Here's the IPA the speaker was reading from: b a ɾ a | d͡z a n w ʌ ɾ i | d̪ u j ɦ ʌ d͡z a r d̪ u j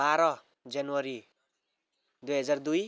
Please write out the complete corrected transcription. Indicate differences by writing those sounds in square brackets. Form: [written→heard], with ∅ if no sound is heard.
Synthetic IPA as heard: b a ɾ [a→ʌ] | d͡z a n w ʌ ɾ i | d̪ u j ɦ ʌ d͡z a r d̪ u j